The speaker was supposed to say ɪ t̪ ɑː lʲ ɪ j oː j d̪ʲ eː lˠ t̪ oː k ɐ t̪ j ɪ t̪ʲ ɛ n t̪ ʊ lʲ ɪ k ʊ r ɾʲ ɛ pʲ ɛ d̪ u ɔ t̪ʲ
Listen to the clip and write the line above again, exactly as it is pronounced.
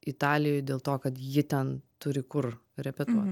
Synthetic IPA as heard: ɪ t̪ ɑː lʲ ɪ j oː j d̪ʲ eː lˠ t̪ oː k ɐ t̪ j ɪ t̪ʲ ɛ n t̪ ʊ ɾʲ ɪ k ʊ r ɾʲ ɛ pʲ ɛ t̪ u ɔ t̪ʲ